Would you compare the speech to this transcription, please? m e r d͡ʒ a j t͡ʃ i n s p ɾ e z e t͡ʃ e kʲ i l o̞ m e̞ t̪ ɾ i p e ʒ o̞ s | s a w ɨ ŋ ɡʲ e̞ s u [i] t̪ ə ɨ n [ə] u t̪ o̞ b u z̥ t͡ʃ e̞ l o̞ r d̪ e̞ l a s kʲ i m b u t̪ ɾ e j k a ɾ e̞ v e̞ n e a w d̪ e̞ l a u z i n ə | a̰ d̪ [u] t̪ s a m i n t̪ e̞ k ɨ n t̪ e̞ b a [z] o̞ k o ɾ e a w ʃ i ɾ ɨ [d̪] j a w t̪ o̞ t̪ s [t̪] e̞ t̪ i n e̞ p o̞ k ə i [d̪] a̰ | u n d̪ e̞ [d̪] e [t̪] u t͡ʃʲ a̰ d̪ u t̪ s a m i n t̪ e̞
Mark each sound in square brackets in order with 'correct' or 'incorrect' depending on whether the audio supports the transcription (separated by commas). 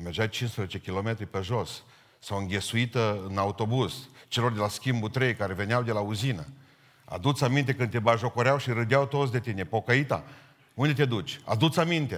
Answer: correct, incorrect, correct, incorrect, correct, incorrect, incorrect, incorrect, incorrect